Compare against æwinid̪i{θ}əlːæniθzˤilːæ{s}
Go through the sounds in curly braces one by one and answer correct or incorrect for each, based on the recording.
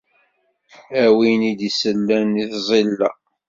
incorrect, incorrect

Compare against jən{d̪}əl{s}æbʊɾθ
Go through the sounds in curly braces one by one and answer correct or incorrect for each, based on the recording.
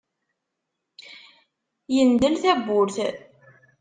correct, incorrect

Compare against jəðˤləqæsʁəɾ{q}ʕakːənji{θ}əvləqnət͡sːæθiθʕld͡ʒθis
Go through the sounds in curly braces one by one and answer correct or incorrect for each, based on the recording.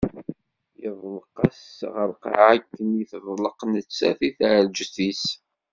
correct, correct

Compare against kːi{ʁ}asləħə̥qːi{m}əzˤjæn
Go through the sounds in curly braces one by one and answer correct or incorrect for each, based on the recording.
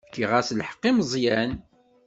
correct, correct

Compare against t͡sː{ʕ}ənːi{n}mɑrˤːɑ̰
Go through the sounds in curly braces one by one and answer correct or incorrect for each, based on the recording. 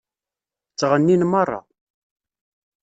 incorrect, correct

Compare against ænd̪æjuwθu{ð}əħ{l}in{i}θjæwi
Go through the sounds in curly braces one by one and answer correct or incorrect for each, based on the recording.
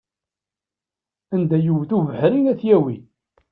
incorrect, incorrect, incorrect

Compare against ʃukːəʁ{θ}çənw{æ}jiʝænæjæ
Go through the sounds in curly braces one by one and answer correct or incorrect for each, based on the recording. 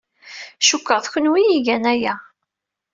correct, incorrect

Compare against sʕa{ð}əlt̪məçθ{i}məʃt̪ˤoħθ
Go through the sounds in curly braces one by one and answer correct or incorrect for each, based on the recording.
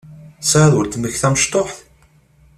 correct, incorrect

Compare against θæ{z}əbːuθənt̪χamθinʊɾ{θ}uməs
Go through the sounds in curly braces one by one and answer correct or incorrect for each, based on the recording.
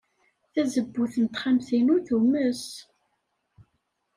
correct, correct

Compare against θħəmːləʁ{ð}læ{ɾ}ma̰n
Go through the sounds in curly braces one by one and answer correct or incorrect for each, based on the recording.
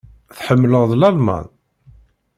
correct, incorrect

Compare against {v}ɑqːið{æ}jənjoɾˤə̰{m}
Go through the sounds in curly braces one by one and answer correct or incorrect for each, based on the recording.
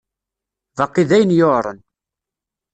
correct, correct, incorrect

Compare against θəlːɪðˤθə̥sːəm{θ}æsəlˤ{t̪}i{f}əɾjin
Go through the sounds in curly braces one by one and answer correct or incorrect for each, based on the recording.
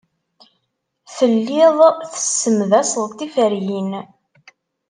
incorrect, correct, correct

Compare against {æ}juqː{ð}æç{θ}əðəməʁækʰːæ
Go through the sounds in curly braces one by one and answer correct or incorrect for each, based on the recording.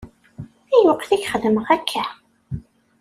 correct, incorrect, incorrect

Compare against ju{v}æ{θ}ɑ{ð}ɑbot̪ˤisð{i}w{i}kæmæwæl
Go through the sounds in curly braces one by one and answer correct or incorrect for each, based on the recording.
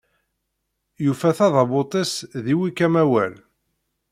incorrect, correct, correct, correct, correct

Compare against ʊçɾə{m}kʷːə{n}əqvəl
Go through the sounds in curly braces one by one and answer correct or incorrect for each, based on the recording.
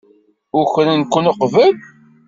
incorrect, correct

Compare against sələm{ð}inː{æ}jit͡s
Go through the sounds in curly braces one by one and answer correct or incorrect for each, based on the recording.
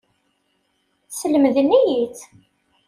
correct, incorrect

